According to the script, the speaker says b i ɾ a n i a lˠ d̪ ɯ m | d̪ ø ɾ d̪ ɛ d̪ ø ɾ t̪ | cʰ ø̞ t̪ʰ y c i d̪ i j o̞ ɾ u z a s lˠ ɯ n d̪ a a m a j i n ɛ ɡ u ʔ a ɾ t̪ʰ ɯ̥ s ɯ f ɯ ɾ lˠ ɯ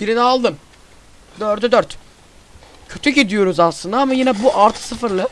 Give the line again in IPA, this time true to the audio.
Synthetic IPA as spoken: b i ɾ i n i a lˠ d̪ ɯ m | d̪ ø ɾ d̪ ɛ d̪ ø ɾ t̪ | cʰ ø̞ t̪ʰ y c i d̪ i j o̞ ɾ u z a s lˠ ɯ n d̪ a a m a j i n ɛ b u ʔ a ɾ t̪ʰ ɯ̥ s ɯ f ɯ ɾ lˠ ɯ